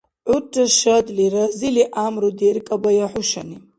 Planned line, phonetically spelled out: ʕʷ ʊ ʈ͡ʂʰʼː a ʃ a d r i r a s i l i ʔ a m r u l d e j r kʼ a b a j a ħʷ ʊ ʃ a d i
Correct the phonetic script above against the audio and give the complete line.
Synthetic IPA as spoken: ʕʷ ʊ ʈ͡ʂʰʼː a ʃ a d l i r a z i l i ʔ a m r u d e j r kʼ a b a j a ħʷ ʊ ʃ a n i